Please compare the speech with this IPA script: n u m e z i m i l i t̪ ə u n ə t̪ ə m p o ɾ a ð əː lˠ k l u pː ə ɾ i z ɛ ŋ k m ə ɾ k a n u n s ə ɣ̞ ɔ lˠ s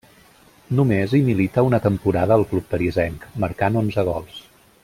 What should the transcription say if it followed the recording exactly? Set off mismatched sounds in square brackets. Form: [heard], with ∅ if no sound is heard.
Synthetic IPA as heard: n u m e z i m i l i t̪ ə u n ə t̪ ə m p [u] ɾ a ð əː lˠ k l u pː ə ɾ i z ɛ ŋ k m ə ɾ k a n [o] n [z] ə ɣ̞ ɔ lˠ s